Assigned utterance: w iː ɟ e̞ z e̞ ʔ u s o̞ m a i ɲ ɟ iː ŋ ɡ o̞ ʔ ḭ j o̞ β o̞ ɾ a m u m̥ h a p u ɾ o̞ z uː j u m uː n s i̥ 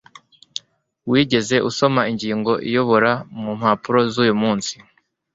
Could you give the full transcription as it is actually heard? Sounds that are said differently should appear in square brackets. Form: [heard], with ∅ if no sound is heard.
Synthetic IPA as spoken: w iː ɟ e̞ z e̞ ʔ u s o̞ m a i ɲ ɟ iː ŋ ɡ o̞ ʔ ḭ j o̞ β o̞ ɾ a m u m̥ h a p u ɾ o̞ z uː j u m uː n s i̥